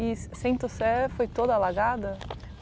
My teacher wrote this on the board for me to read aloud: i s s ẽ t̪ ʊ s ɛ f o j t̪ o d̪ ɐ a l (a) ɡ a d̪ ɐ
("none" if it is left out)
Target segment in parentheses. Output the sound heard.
a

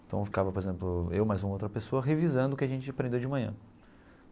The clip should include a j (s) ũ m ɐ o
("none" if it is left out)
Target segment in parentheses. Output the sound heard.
z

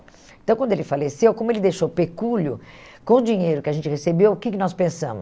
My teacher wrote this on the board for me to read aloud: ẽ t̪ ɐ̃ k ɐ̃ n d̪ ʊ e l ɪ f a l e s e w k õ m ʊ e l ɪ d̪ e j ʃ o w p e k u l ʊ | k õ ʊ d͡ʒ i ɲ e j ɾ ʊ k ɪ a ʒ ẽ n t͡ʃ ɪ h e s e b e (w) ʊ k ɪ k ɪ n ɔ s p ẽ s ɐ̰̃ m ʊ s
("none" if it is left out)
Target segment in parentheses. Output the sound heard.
w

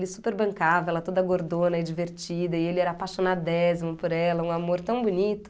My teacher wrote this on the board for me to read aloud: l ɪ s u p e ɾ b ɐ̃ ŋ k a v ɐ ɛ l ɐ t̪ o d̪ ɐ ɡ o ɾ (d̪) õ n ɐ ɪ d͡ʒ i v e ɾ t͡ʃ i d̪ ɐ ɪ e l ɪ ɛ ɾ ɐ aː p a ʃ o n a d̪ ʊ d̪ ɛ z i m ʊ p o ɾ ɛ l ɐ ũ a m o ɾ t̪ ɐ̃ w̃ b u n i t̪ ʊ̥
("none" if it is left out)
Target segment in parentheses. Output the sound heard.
d̪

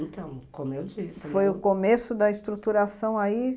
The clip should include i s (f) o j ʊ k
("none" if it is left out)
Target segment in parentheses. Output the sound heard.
f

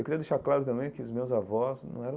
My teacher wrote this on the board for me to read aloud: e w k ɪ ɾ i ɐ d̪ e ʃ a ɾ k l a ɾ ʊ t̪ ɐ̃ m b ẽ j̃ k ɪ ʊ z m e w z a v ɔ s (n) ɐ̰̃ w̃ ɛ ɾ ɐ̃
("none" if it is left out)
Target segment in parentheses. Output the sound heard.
n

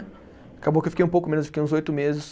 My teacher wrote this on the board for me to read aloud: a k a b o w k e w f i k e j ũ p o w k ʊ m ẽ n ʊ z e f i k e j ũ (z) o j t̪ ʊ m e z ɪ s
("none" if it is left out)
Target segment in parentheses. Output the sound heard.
z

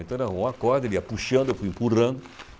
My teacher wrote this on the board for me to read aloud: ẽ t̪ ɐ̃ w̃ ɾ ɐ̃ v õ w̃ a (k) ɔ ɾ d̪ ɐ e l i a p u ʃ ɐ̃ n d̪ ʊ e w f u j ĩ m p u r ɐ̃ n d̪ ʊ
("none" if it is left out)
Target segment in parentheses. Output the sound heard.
k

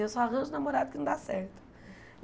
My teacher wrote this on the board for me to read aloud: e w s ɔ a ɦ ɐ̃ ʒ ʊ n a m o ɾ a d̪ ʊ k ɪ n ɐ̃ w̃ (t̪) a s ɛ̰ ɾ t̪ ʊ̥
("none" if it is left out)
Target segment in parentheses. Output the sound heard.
d̪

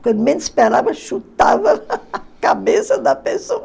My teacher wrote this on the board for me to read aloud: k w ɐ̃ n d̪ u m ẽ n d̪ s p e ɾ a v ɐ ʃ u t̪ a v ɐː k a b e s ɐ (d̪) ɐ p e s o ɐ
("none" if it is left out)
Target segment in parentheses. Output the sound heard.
d̪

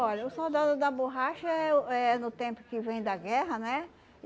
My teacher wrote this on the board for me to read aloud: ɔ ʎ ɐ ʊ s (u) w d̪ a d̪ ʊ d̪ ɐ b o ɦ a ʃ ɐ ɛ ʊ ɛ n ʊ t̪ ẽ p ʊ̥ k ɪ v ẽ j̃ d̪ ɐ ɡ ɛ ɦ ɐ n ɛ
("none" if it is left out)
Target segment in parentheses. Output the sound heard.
o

